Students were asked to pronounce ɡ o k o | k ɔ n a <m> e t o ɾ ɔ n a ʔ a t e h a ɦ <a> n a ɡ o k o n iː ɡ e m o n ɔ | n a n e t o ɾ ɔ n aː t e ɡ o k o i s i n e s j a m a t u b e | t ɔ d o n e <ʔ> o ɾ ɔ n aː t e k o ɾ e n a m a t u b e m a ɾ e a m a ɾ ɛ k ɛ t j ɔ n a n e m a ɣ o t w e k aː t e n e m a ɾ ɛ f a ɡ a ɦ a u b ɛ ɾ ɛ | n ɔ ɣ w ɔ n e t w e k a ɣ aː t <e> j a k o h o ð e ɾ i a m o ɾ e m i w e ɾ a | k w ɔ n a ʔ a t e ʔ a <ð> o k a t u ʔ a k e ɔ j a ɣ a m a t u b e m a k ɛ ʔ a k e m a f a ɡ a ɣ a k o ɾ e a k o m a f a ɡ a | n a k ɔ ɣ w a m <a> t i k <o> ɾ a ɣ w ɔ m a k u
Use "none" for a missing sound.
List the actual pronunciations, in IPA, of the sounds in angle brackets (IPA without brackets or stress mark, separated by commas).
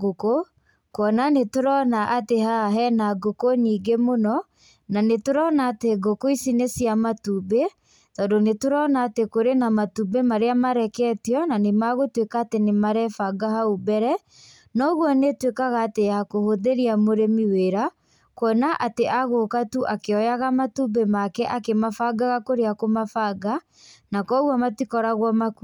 n, ɛ, t, e, ɣ, a, ɔ